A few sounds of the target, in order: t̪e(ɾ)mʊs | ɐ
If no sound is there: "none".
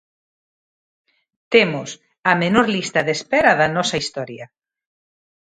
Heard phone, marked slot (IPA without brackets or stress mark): none